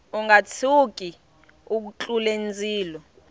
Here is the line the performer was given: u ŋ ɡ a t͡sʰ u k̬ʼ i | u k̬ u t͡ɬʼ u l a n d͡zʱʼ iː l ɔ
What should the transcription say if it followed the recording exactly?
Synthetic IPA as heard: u ŋ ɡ a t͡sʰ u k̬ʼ i | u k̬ u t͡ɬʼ u l e n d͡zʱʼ iː l ɔ